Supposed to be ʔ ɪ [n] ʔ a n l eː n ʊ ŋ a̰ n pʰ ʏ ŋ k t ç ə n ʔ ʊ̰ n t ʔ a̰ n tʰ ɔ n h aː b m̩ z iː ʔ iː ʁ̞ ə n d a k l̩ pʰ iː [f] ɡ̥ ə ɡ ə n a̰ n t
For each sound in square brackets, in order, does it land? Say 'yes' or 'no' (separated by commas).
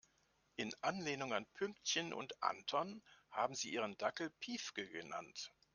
yes, yes